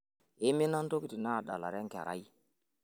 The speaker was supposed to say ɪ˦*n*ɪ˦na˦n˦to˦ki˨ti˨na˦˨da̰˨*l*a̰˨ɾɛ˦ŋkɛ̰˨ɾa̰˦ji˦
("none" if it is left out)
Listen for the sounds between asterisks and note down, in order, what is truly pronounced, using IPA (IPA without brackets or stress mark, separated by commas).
m, l